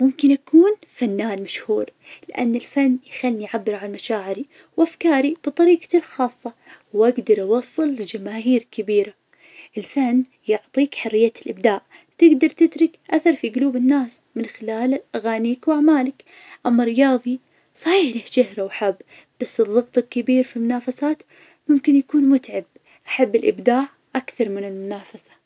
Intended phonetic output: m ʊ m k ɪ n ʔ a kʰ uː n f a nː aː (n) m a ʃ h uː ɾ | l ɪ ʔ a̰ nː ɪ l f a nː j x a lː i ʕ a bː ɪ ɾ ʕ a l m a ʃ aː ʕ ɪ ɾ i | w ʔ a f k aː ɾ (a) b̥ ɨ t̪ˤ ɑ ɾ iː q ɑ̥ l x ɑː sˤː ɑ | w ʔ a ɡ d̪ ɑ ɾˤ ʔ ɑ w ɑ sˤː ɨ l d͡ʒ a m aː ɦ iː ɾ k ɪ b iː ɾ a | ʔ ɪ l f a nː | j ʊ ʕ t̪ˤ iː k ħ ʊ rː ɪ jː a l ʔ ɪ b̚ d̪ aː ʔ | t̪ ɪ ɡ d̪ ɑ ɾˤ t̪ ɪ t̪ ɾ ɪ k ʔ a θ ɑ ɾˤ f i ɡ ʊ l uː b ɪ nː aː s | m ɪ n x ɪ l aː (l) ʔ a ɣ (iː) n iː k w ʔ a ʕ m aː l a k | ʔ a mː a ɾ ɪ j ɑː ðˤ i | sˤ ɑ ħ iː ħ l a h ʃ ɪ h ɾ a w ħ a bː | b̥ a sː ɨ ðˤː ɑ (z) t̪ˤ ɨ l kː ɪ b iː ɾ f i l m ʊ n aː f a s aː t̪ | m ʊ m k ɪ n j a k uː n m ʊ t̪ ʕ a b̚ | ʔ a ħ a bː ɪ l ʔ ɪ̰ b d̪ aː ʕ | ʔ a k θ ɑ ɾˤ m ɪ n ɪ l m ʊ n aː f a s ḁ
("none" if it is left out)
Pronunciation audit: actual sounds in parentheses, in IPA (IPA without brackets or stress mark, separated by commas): n, i, l, aː, ɣ